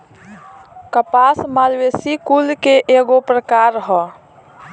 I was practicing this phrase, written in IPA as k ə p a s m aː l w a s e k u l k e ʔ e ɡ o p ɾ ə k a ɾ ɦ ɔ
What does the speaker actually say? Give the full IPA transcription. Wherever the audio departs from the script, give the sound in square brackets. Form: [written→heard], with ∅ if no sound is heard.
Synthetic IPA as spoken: k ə p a s m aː l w [a→e] s [e→i] k u l k e ʔ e ɡ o p ɾ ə k a ɾ ɦ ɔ